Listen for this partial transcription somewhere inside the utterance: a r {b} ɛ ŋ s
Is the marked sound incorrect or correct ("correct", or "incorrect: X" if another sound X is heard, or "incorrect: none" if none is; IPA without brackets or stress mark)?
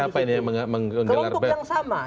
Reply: correct